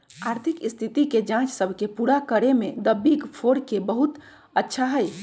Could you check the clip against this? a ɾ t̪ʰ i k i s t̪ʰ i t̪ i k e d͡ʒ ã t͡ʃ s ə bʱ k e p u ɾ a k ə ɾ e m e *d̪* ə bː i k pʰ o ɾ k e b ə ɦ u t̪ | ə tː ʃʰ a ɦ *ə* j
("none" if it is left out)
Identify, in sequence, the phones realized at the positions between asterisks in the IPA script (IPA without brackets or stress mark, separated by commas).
d̪, ə